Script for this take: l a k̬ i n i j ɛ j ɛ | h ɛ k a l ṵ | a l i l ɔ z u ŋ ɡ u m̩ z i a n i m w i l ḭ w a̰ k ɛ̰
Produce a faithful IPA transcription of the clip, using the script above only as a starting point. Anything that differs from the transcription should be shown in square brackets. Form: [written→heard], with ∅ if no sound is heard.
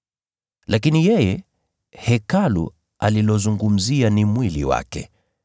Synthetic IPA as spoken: l a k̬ i n i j ɛ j ɛ | h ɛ k a l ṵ | a l i l ɔ z u ŋ ɡ u m̩ z i a n i m w i l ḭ w a̰ k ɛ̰